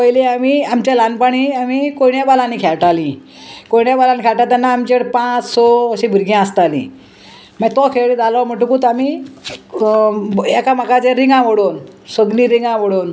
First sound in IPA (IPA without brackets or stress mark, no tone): p